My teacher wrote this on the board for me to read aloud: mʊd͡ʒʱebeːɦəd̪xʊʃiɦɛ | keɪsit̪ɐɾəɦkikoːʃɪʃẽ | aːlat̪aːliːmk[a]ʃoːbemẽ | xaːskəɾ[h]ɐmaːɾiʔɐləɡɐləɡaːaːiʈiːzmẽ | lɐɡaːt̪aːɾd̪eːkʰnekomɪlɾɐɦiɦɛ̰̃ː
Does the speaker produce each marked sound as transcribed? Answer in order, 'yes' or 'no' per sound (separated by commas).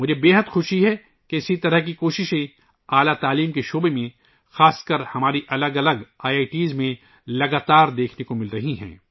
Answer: no, yes